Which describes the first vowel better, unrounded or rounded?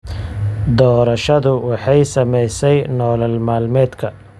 rounded